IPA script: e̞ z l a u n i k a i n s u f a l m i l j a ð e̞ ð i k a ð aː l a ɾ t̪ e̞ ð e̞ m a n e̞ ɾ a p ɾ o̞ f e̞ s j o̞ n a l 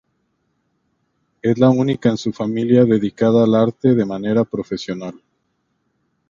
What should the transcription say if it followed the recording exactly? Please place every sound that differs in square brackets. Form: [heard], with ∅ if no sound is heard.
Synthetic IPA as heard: e̞ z l a u n i k a [e] n s u f a [∅] m i l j a ð e̞ ð i k a ð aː l a ɾ t̪ e̞ ð e̞ m a n e̞ ɾ a p ɾ o̞ f e̞ s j o̞ n a l